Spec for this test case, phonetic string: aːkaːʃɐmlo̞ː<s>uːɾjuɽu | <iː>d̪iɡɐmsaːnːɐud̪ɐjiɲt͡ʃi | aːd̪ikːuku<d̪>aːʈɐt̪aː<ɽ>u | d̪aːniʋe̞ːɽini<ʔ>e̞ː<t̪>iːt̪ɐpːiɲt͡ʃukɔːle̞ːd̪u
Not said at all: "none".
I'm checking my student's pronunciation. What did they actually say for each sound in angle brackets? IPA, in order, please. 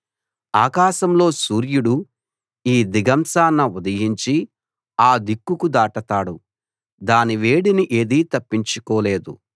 s, iː, d̪, ɽ, ʔ, d̪

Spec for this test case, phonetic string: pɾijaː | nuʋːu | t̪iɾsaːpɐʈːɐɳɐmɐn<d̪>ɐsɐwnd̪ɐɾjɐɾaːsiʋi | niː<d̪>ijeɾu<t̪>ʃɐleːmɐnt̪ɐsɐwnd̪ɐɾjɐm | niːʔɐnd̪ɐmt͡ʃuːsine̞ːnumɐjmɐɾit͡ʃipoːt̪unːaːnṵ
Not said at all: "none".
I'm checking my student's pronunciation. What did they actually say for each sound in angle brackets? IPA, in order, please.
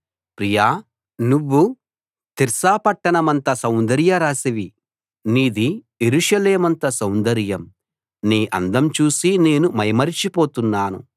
t̪, d̪, none

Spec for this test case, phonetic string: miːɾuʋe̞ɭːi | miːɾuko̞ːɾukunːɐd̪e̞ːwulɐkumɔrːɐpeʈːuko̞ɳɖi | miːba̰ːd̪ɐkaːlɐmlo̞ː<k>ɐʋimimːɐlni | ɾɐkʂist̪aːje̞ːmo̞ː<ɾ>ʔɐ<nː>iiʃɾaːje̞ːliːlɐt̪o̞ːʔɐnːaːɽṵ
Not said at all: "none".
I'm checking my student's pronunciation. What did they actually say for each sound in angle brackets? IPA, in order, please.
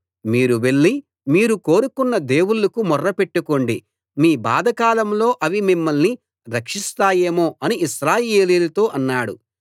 ʔ, none, n

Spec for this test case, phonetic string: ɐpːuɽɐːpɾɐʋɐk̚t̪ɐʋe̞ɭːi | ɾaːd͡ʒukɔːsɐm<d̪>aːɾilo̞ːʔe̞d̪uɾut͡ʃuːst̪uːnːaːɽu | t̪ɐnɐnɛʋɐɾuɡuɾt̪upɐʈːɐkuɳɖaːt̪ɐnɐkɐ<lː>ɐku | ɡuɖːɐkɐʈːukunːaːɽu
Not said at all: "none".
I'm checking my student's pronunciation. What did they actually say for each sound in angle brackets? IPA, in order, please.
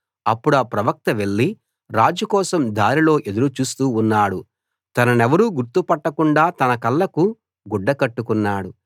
d̪, lː

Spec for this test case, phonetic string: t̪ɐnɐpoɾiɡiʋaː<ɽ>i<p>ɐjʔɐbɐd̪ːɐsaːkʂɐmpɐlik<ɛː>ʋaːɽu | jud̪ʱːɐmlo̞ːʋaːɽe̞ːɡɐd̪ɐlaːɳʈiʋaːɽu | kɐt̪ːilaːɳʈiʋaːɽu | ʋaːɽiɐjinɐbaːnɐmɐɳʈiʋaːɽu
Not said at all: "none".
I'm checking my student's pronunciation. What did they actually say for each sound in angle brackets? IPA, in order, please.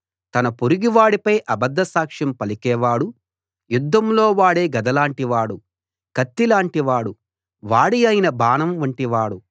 ɽ, p, ɛː

